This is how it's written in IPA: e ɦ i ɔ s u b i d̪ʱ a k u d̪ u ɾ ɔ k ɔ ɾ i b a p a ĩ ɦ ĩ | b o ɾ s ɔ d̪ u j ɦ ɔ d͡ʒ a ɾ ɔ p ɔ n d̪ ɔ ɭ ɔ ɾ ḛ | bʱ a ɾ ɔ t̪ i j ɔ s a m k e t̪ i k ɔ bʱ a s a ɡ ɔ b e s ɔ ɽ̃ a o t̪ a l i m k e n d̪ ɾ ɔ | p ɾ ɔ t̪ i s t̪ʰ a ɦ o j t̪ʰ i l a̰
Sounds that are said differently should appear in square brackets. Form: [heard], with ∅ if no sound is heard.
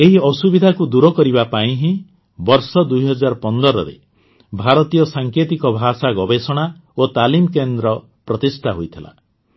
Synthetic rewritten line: e ɦ i ɔ s u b i d̪ʱ a k u d̪ u ɾ ɔ k ɔ ɾ i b a p a ĩ ɦ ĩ | b [ɔ] ɾ s ɔ d̪ u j ɦ ɔ d͡ʒ a ɾ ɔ p ɔ n d̪ ɔ [ɾ] ɔ ɾ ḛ | bʱ a ɾ ɔ t̪ i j ɔ s a [ŋ] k e t̪ i k ɔ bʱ a s a ɡ ɔ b e s ɔ ɽ̃ a o t̪ a l i m k e n d̪ ɾ ɔ | p ɾ ɔ t̪ i s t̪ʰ a ɦ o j t̪ʰ i l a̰

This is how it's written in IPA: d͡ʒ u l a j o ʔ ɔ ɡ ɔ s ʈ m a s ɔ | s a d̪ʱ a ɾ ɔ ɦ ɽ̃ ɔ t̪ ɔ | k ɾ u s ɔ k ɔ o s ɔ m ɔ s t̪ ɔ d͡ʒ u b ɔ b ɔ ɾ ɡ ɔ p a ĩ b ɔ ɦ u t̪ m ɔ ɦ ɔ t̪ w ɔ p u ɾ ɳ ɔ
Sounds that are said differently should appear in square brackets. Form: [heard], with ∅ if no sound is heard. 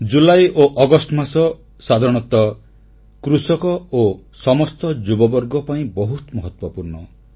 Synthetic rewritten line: d͡ʒ u l a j o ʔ ɔ ɡ ɔ s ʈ m a s ɔ | s a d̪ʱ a ɾ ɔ [∅] ɽ̃ ɔ t̪ ɔ | k ɾ u s ɔ k ɔ o s ɔ m ɔ s t̪ ɔ d͡ʒ u b ɔ b ɔ ɾ ɡ ɔ p a ĩ b ɔ ɦ u t̪ m ɔ ɦ ɔ t̪ w ɔ p u ɾ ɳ ɔ

